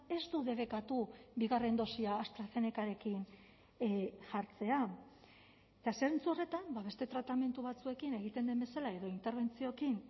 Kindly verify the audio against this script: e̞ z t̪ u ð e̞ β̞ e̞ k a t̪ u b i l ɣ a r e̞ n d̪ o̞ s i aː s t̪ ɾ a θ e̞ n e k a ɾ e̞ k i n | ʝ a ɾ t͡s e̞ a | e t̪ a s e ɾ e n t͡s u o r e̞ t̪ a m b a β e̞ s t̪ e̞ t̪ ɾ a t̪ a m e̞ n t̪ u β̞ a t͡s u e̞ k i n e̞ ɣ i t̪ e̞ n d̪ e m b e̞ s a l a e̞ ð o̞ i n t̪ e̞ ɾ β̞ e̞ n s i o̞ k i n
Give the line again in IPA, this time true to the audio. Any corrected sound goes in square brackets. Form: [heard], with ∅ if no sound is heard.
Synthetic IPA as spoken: e̞ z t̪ u ð e̞ β̞ e̞ k a t̪ u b i [∅] ɣ a r e̞ n d̪ o̞ s i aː s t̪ ɾ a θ e̞ n e k a ɾ e̞ k i n | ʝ a ɾ t͡s e̞ a | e t̪ a s e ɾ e n t͡s u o r e̞ t̪ a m b a β e̞ s t̪ e̞ t̪ ɾ a t̪ a m e̞ n t̪ u β̞ a t͡s u e̞ k i n e̞ ɣ i t̪ e̞ n d̪ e m b e̞ s a l a e̞ ð o̞ i n t̪ e̞ ɾ β̞ e̞ n [t͡s] i o̞ k i n